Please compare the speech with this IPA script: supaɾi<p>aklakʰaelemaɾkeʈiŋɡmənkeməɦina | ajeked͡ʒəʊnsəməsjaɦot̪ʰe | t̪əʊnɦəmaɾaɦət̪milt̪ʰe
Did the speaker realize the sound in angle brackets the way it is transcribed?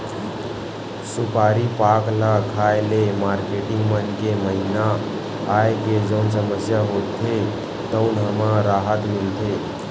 yes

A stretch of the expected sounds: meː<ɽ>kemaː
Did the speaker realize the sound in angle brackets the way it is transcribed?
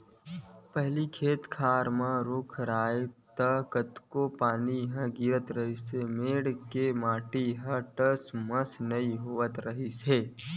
yes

